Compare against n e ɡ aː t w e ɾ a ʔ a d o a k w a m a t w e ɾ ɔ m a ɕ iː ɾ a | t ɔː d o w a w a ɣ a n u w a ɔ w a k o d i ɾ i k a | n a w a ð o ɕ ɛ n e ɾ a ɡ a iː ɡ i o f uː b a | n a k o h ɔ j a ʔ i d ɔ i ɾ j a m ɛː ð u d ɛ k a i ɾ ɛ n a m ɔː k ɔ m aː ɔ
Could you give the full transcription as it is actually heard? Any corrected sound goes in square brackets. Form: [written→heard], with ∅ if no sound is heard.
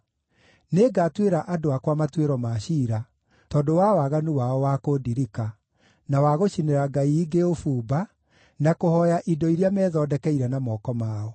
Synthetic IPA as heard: n e ɡ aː t w e ɾ a ʔ a d o a k w a m a t w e ɾ ɔ m a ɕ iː ɾ a | t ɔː d o w a w a ɣ a n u w a ɔ w a k o d i ɾ i k a | n a w a [ð→ɣ] o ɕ [ɛ→i] n e ɾ a ɡ a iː ɡ [i→e] o f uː b a | n a k o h ɔ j a ʔ i d ɔ i ɾ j a m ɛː ð [u→ɔ] d ɛ k [a→ɛ] i ɾ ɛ n a m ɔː k ɔ m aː ɔ